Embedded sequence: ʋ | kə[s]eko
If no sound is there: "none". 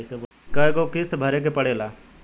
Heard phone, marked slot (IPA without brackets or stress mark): none